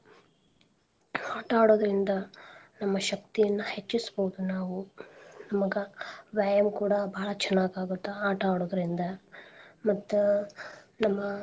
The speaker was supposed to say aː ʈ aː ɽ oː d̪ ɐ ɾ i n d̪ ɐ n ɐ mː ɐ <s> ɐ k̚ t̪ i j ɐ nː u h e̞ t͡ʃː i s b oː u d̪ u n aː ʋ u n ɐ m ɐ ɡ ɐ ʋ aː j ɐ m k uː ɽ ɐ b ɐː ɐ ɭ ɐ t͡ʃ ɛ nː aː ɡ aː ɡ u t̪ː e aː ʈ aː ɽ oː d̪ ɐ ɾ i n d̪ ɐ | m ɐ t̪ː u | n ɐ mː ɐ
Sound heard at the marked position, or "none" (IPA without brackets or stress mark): ʃ